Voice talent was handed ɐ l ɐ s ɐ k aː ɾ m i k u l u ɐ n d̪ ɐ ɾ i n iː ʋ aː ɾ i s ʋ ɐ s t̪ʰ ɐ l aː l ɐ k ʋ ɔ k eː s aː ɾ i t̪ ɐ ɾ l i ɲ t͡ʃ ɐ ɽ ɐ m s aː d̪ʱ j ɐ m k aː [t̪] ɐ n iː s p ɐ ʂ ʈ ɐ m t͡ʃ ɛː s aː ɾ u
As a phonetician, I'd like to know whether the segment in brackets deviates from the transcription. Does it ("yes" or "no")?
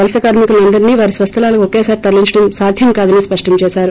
yes